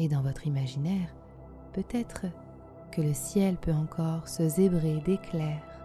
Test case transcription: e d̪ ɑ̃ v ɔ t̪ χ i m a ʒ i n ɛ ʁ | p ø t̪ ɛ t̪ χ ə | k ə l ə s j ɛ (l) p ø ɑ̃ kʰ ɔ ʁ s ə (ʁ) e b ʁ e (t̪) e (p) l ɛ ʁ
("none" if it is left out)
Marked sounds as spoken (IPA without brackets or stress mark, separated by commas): l, z, d̪, k